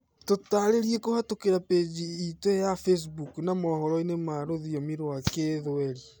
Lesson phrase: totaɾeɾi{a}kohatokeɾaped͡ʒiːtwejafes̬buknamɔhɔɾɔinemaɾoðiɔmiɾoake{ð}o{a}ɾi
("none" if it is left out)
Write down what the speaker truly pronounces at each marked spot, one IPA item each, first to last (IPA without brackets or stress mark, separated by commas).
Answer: e, ð, ɛ